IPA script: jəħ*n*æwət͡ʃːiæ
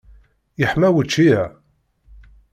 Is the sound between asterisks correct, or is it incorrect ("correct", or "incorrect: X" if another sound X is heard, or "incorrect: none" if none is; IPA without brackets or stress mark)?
incorrect: m